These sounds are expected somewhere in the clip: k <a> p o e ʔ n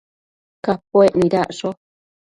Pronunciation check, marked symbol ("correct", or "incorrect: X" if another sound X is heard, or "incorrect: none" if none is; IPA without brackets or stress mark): correct